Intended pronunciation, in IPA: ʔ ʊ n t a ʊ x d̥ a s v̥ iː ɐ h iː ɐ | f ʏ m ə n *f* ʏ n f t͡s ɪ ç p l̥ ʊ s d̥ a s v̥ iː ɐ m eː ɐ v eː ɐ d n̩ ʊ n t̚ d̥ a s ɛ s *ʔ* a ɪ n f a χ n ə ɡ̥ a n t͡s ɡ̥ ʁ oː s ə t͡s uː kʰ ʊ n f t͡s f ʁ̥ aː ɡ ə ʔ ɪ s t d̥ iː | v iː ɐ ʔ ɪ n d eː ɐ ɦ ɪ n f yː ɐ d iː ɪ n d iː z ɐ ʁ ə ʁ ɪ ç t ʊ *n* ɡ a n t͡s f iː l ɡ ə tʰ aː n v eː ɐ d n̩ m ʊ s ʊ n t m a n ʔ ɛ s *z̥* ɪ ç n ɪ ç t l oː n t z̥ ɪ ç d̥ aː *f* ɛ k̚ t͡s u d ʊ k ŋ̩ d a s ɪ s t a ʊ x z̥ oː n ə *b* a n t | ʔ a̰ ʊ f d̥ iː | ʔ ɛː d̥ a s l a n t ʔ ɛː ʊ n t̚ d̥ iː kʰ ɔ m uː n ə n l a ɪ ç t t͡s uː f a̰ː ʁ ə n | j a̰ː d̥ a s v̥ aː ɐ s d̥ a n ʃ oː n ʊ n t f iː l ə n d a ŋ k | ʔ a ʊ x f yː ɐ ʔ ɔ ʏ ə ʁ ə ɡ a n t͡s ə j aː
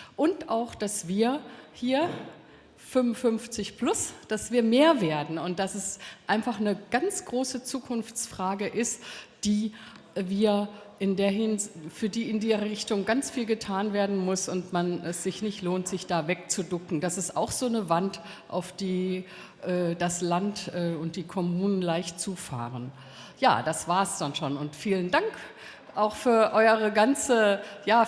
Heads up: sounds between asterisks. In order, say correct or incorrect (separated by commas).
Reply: correct, correct, incorrect, correct, incorrect, incorrect